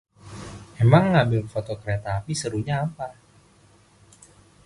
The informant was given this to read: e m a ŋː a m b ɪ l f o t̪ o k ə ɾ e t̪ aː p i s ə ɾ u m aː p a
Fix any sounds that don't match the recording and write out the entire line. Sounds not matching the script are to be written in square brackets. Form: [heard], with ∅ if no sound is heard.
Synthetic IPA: e m a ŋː a m b ɪ l f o t̪ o k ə ɾ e t̪ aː p i s ə ɾ u [ɲ] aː p a